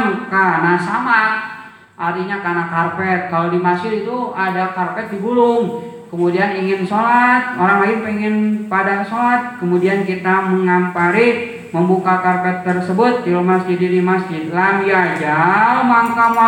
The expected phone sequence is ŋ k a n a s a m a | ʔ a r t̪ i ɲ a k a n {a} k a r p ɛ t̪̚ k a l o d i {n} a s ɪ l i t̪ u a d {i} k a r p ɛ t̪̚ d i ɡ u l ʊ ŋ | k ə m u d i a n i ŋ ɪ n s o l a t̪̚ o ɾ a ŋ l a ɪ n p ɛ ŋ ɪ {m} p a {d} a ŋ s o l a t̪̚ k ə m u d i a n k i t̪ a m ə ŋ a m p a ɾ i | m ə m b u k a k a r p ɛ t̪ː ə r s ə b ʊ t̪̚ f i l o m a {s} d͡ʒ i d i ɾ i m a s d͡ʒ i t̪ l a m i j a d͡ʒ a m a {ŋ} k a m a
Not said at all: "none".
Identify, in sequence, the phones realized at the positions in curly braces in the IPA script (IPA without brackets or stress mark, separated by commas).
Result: a, m, a, n, d, s, ŋ